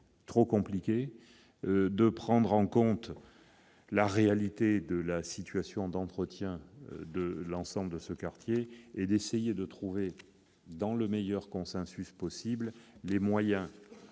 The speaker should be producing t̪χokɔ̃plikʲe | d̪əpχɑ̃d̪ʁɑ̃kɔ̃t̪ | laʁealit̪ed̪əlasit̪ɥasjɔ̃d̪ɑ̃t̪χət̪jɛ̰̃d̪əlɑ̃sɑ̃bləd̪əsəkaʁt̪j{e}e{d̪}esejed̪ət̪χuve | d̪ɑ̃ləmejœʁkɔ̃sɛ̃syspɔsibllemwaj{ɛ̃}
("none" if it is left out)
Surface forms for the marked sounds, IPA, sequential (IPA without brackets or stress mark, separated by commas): e, d̪, ɛ̃